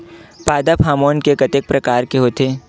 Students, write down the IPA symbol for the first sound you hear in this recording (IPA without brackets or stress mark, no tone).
p